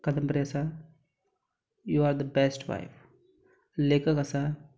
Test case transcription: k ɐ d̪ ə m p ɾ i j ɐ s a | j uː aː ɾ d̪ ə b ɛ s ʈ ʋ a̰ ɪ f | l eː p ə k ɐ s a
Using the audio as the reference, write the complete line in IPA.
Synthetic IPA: k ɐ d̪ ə m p ɾ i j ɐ s a | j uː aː ɾ d̪ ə b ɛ s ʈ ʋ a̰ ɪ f | l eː k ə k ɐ s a